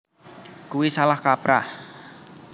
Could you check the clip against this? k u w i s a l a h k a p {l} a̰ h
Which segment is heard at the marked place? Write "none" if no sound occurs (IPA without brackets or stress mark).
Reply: ɾ